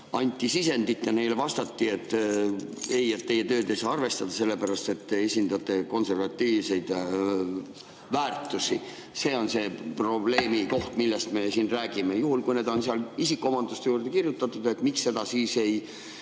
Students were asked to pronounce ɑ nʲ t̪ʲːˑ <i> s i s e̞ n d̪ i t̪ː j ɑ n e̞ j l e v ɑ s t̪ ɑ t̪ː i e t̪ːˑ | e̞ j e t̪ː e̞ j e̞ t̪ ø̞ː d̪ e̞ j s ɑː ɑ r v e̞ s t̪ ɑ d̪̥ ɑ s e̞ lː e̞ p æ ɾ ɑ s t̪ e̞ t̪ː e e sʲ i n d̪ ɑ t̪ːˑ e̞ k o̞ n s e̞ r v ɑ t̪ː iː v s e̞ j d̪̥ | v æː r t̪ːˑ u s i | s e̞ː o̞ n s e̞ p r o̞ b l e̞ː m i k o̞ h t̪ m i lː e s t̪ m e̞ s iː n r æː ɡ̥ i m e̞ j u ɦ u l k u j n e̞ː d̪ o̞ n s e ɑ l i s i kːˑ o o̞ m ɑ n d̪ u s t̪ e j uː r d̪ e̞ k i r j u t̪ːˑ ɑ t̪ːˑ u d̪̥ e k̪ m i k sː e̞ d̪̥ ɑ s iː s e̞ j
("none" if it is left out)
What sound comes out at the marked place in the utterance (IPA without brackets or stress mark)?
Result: i